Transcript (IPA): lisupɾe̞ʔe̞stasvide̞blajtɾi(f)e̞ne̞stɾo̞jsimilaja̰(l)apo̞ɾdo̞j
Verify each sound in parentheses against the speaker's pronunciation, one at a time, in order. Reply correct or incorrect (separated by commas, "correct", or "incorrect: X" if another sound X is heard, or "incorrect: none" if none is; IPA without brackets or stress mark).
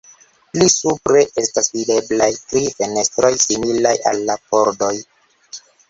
correct, incorrect: lː